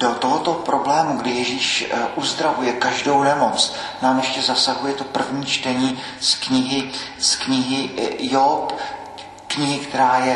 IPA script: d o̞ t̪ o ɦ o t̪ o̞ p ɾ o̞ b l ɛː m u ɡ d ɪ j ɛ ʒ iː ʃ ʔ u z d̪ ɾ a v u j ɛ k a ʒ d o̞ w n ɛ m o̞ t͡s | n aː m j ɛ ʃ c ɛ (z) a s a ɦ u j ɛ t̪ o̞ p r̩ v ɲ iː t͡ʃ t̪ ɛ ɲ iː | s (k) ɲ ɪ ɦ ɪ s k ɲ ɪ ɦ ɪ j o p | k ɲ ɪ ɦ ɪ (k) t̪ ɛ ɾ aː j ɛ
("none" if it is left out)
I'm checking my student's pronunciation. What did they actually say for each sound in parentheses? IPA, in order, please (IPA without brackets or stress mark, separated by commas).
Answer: z, k, k